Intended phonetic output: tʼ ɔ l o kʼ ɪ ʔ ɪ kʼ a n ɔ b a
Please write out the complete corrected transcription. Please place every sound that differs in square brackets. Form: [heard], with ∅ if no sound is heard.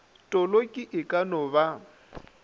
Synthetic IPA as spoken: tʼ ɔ l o kʼ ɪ ʔ ɪ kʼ a n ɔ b a